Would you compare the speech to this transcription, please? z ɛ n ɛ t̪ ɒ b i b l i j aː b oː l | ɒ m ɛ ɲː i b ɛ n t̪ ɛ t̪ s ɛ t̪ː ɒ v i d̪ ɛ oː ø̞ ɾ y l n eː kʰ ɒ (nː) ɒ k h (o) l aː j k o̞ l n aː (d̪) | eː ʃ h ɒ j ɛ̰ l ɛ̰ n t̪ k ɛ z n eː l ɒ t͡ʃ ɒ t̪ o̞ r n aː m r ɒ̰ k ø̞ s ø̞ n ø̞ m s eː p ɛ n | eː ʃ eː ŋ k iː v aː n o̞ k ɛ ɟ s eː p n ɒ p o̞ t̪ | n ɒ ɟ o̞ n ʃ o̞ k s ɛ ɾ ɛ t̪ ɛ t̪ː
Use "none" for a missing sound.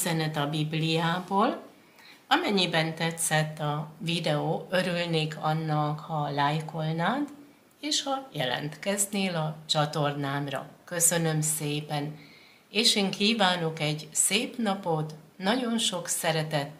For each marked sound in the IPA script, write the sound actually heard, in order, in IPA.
nː, ɒ, t̪

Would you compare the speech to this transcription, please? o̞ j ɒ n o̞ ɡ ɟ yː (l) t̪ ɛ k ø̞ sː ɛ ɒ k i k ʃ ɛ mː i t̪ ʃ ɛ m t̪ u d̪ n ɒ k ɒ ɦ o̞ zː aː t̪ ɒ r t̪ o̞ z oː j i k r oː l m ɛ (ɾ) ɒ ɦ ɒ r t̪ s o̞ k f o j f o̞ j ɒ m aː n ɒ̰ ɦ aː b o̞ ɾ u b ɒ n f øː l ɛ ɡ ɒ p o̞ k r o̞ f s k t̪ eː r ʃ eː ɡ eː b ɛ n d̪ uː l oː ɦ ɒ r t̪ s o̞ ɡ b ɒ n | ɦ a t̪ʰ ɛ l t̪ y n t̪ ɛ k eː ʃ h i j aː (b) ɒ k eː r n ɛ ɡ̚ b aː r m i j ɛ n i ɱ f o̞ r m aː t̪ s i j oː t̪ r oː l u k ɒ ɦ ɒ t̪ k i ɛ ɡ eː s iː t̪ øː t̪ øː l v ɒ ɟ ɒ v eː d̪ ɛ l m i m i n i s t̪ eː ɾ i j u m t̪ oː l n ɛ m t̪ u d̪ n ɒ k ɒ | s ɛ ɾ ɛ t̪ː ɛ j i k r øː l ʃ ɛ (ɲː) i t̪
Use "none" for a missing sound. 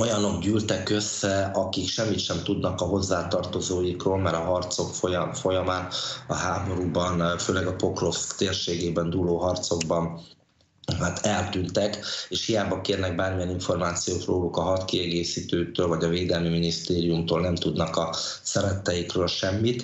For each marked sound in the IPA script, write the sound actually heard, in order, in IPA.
l, ɾ, b, mː

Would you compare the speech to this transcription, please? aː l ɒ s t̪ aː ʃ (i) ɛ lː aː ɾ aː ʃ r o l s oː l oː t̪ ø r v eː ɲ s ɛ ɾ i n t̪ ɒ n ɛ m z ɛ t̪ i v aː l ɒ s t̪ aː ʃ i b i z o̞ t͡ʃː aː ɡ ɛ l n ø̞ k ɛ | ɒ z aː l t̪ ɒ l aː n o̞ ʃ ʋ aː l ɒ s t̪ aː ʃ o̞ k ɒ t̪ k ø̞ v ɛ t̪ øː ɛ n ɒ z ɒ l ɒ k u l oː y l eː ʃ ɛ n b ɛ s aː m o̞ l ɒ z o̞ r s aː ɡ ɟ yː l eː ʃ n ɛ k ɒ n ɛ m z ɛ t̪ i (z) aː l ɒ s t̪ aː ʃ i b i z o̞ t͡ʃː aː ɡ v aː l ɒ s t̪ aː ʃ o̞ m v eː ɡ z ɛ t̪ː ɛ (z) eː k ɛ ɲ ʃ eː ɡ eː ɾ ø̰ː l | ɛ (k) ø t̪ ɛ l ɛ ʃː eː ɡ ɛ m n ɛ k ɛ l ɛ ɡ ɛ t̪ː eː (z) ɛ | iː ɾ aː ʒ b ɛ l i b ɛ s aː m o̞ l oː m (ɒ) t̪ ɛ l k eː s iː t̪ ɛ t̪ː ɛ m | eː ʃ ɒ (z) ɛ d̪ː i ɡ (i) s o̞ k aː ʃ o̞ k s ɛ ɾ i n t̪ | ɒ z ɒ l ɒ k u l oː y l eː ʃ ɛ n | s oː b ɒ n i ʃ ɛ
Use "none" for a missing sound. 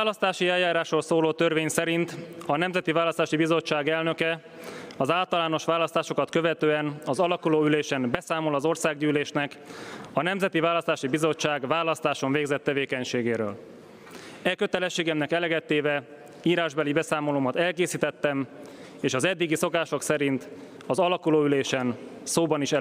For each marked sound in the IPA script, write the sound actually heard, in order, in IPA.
i, v, v, k, v, ɒ, z, i

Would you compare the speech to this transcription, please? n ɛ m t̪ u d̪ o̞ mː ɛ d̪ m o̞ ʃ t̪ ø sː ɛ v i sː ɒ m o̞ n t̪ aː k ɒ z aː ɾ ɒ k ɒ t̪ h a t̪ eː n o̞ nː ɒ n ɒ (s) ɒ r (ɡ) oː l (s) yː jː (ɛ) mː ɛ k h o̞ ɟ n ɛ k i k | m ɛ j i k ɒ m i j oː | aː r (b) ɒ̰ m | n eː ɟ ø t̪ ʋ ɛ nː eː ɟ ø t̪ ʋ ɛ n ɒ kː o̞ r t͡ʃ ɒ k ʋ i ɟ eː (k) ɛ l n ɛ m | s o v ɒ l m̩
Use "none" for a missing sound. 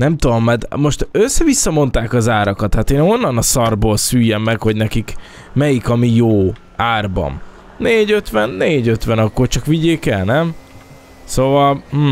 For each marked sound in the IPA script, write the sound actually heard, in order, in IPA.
s, b, s, ɛ, b, k

